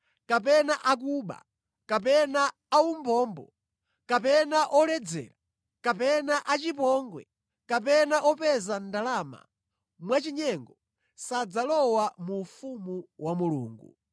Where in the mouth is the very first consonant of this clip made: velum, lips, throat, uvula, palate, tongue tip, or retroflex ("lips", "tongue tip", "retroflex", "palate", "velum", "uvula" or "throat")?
velum